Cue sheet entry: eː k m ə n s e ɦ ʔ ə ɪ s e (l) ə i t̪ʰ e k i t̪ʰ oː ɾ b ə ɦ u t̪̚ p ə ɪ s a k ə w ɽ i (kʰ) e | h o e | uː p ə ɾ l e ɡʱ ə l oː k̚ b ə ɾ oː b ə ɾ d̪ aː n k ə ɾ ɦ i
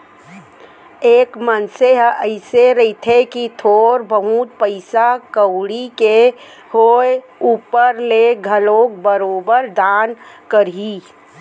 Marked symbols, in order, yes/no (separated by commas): no, no